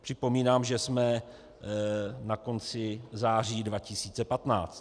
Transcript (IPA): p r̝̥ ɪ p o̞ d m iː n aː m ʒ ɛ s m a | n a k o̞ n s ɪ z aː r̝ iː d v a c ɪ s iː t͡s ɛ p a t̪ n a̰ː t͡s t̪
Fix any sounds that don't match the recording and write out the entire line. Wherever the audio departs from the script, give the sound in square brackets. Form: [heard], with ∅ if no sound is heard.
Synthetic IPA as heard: p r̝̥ ɪ p o̞ [∅] m iː n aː m ʒ ɛ s m [ɛ] | n a k o̞ n [t͡s] ɪ z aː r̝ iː d v a c ɪ s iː t͡s ɛ p a t̪ n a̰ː t͡s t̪